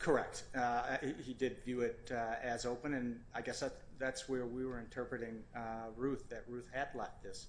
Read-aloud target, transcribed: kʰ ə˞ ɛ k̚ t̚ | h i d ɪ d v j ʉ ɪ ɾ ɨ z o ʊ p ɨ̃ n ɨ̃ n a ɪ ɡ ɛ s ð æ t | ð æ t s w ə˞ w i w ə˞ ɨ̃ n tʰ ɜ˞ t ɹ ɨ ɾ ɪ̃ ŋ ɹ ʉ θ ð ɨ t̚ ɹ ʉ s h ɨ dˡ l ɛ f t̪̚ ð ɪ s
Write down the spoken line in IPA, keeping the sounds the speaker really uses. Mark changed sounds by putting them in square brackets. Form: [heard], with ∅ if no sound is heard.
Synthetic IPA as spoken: kʰ ə˞ ɛ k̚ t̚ | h i d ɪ d v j ʉ ɪ ɾ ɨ z o ʊ p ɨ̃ n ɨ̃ n a ɪ ɡ ɛ s ð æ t | ð æ t s w ə˞ w i w ə˞ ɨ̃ n tʰ ɜ˞ [p] ɹ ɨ ɾ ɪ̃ ŋ ɹ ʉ θ ð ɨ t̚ ɹ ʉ [θ] h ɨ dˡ l ɛ f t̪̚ ð ɪ s